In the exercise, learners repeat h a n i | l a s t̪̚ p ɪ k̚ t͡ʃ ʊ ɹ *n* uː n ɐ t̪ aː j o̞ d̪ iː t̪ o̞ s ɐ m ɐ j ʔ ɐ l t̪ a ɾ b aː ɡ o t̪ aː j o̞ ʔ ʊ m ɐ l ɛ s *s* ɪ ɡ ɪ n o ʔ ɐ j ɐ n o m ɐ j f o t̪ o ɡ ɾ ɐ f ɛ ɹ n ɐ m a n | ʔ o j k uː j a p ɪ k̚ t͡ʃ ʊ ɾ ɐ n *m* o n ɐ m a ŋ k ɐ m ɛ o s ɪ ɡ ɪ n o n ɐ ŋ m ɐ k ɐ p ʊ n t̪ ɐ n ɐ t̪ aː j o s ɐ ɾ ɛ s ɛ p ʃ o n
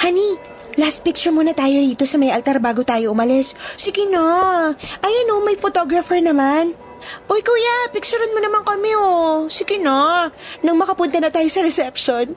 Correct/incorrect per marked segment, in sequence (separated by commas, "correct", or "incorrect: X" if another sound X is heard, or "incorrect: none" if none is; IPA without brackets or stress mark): incorrect: m, correct, correct